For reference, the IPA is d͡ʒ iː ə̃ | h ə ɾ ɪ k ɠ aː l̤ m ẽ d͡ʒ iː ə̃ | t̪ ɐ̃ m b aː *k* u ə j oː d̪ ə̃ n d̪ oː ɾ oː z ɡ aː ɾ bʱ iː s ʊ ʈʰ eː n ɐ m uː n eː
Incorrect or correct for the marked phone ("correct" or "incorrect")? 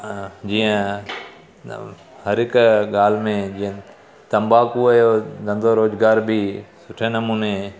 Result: correct